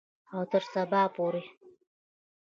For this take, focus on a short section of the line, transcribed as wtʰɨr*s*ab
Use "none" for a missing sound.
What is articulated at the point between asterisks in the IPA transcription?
s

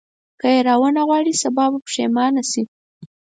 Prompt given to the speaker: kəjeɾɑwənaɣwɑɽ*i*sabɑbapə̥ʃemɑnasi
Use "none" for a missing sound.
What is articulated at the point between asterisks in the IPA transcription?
i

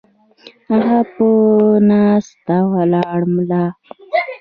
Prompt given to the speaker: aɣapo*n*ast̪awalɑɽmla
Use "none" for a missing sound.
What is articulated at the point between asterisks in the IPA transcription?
n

